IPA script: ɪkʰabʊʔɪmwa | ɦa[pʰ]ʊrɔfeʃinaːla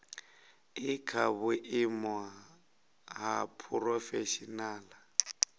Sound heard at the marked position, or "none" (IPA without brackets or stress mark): pʰ